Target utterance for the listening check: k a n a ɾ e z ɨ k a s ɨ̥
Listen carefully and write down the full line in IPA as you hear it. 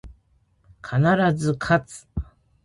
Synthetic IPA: kʰ a n a ɾ a z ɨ kʰ a t͡s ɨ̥